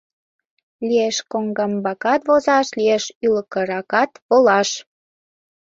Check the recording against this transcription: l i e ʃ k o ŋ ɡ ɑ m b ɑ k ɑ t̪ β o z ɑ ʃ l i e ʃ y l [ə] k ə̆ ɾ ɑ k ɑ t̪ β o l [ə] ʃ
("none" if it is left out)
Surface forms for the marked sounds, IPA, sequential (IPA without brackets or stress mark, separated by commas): ə, ɑ